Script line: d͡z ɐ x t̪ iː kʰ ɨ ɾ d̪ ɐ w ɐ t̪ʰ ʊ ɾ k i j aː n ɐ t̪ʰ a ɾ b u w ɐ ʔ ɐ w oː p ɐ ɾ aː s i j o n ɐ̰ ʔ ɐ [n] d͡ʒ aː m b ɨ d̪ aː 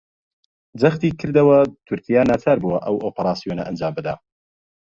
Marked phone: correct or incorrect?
correct